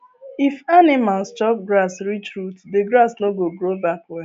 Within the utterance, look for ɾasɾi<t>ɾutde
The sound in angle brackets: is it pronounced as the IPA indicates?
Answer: no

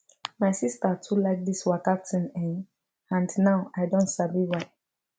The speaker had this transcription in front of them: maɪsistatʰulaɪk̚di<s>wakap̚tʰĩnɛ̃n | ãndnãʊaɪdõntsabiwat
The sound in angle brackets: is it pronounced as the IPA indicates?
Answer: yes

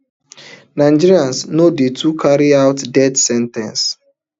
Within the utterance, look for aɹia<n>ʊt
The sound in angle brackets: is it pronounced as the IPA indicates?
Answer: no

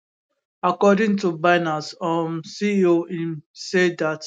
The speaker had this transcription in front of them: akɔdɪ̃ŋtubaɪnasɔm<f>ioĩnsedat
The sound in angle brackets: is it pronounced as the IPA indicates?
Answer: no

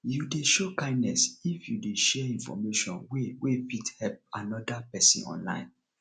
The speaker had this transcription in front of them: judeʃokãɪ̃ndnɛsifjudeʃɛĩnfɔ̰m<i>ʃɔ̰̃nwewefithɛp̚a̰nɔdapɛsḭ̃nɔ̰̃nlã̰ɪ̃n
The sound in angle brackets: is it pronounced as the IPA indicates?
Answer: no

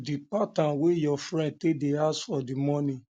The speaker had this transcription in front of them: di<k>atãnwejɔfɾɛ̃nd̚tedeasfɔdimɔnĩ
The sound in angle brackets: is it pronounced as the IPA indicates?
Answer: no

